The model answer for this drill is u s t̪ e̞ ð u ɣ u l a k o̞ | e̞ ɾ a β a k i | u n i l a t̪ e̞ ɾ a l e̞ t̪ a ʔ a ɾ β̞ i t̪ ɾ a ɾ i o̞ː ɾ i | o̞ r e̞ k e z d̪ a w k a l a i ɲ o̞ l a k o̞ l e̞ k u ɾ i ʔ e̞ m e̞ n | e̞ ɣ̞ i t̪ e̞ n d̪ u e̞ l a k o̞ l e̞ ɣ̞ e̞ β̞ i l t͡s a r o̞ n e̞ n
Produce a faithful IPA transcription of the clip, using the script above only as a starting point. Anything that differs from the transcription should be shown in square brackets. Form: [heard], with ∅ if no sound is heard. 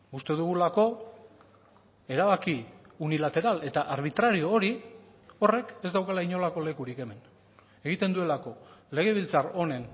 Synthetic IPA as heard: u s t̪ e̞ ð u ɣ u l a k o̞ | e̞ ɾ a β a k i | u n i l a t̪ e̞ ɾ a l e̞ t̪ a ʔ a ɾ β̞ i t̪ ɾ a ɾ i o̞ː ɾ i | o̞ r e̞ k e z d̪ a w k a l a i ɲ o̞ l a k o̞ l e̞ k u ɾ i [k] e̞ m e̞ n | e̞ ɣ̞ i t̪ e̞ n d̪ u e̞ l a k o̞ l e̞ ɣ̞ e̞ β̞ i l t͡s a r o̞ n e̞ n